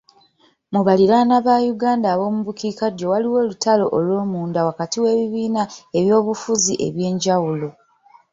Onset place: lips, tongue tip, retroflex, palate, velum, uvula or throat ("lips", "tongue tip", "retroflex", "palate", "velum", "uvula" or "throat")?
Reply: lips